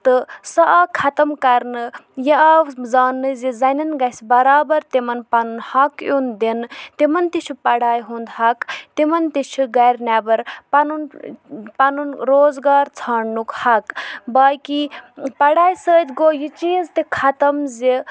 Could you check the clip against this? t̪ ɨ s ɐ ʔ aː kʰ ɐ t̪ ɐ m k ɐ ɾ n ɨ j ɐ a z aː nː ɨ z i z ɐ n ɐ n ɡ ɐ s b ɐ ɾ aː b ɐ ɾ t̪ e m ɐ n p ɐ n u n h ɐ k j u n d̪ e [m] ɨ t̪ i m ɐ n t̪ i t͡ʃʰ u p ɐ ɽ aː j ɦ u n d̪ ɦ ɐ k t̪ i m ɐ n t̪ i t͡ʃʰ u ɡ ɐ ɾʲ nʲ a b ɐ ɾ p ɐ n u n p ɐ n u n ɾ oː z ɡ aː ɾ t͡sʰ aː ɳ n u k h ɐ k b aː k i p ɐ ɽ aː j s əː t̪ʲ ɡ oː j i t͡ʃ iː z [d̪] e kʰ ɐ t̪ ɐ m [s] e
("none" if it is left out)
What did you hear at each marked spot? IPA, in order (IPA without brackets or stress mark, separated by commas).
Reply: n, t̪, z